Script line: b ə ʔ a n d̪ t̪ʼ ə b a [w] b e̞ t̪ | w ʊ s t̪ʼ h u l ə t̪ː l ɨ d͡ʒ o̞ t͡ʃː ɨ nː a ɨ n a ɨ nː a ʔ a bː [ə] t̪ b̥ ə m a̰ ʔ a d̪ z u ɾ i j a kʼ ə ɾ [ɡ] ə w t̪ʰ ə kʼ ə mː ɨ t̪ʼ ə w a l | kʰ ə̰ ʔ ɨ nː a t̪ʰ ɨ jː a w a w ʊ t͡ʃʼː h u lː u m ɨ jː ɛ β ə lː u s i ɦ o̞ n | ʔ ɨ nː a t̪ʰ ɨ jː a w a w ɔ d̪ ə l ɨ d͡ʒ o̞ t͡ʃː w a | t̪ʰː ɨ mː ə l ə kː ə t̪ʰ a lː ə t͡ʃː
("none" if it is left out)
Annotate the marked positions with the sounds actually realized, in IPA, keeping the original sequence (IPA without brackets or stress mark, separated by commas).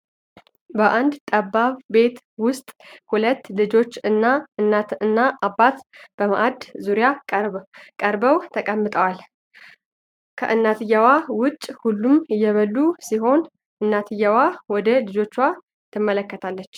β, a, b